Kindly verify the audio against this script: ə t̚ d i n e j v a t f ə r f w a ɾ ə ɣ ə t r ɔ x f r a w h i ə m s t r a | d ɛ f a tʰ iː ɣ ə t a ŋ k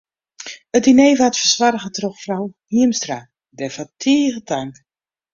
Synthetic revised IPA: ə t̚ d i n e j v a t f ə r s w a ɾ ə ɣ ə t r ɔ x f r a w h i ə m s t r a | d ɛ f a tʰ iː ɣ ə t a ŋ k